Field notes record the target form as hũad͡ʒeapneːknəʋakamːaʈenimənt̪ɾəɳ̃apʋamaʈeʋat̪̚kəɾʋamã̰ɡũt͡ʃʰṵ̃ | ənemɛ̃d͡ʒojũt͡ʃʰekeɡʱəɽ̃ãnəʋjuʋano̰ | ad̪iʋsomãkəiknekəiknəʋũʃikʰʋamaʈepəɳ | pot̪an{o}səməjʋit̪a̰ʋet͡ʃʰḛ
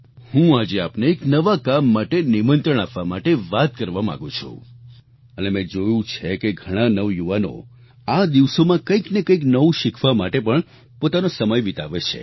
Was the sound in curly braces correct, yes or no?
yes